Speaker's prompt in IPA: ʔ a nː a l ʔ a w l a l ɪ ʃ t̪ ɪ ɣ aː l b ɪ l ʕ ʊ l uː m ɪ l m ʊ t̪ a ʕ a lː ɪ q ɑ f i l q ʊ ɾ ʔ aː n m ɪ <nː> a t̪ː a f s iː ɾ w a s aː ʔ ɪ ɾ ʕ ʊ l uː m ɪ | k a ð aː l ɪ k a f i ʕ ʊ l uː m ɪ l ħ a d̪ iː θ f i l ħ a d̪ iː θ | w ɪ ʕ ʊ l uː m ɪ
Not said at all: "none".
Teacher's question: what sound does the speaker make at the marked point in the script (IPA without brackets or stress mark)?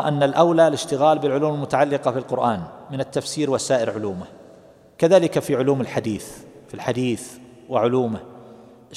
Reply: n